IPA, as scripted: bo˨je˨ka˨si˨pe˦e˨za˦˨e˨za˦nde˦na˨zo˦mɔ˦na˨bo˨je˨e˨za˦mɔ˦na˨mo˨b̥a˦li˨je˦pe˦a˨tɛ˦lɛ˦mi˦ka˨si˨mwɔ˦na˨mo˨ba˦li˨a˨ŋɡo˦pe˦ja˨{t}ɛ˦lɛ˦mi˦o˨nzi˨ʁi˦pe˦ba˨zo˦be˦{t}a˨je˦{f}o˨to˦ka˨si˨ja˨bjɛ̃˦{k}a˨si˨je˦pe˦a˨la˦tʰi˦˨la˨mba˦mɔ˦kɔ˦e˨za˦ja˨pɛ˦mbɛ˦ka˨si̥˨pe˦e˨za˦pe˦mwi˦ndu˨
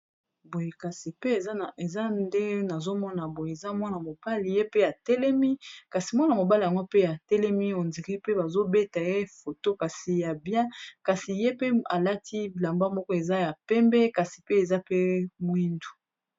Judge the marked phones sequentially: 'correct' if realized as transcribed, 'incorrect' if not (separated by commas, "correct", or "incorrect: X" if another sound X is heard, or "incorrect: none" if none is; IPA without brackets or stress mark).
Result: correct, correct, correct, correct